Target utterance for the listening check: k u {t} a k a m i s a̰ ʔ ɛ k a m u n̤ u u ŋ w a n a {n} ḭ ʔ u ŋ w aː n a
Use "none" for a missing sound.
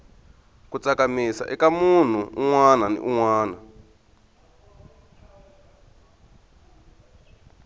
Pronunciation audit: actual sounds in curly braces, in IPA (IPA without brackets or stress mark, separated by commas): t͡s, n